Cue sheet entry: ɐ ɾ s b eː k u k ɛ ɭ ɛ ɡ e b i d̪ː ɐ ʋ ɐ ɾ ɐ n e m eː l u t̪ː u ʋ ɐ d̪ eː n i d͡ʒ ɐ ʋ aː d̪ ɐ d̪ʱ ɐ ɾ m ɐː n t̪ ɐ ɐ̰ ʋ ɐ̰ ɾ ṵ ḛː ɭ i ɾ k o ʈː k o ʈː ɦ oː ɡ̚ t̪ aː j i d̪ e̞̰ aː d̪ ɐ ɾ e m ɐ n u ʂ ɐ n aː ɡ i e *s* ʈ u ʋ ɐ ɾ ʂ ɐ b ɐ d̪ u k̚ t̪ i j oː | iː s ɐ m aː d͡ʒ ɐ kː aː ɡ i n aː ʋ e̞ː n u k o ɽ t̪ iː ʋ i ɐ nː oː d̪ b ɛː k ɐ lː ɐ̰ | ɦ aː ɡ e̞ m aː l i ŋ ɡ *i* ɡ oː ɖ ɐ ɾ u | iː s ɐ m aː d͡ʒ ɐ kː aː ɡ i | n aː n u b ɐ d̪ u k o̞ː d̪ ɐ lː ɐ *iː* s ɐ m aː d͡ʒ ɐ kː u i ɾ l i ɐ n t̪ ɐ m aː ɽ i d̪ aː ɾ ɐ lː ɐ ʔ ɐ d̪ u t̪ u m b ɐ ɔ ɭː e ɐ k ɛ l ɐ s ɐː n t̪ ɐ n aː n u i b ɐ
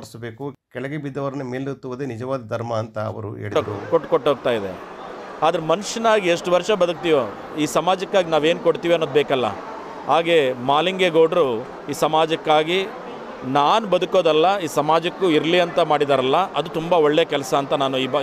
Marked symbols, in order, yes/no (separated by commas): no, no, yes